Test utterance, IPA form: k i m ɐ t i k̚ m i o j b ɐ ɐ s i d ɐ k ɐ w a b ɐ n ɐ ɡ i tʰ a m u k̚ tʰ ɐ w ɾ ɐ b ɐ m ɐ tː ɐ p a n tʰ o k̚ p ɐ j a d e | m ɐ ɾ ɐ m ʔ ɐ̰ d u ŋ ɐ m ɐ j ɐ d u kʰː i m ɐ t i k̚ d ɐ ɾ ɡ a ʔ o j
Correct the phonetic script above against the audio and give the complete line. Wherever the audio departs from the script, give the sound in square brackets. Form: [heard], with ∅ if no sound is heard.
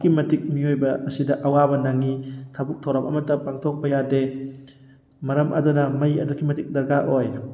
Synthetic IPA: k i m ɐ t i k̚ m i o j b ɐ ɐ s i d ɐ [ʔ] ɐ w a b ɐ n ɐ [ŋ] i tʰ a [b] u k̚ tʰ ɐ w ɾ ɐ [m] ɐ m ɐ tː ɐ p a [ŋ] tʰ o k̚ p ɐ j a d e | m ɐ ɾ ɐ m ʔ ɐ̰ d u [n] ɐ m ɐ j ɐ d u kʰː i m ɐ t i k̚ d ɐ ɾ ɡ a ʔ o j